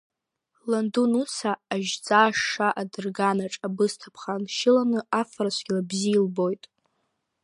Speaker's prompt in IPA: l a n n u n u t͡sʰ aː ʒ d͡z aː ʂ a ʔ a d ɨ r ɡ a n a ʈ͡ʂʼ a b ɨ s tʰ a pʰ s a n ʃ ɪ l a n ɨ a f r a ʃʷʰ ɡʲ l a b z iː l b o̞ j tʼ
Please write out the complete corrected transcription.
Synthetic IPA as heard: l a n d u n u t͡sʰ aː ʒ d͡z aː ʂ a ʔ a d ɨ r ɡ a n a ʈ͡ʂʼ a b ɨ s tʰ a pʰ χ a n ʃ ɪ l a n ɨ a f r a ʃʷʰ ɡʲ l a b z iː l b o̞ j tʼ